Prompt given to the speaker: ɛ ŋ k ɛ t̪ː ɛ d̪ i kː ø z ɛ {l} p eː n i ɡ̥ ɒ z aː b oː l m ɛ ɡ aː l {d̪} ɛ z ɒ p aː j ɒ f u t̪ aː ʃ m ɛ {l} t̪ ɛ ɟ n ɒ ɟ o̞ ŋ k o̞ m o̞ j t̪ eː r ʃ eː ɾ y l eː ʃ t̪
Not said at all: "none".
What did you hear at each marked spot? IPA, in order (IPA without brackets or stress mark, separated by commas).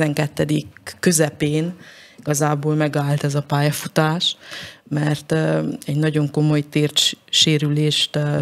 none, t̪, r